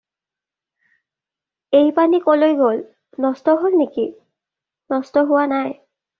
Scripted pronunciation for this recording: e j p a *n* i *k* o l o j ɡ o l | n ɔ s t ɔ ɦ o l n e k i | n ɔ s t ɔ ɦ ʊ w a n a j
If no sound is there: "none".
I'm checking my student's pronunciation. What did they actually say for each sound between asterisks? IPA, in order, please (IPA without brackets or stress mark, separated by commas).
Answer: n, k